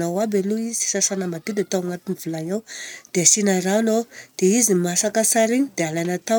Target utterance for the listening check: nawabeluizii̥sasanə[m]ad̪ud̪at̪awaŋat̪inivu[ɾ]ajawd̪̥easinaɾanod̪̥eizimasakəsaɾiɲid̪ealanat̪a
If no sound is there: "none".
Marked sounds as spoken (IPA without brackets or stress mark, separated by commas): m, l